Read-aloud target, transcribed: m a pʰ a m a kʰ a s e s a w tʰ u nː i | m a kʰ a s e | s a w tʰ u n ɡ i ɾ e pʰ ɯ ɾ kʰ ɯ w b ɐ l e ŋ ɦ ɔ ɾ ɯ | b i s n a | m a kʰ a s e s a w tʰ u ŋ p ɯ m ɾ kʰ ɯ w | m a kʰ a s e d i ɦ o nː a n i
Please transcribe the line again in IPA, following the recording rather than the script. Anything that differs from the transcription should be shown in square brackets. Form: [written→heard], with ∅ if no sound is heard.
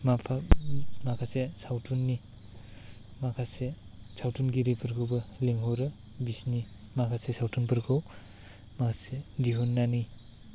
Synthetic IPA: m a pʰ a m a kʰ a s e s a w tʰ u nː i | m a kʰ a s e | s a w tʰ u n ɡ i ɾ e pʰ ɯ ɾ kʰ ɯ w b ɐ l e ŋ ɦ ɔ ɾ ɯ | b i s n [a→i] | m a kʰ a s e s a w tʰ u [ŋ→n] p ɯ [m→∅] ɾ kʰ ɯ w | m a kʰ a s e d i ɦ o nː a n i